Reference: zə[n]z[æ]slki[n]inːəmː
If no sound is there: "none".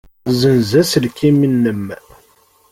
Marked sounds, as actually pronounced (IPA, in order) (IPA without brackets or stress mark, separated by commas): n, æ, m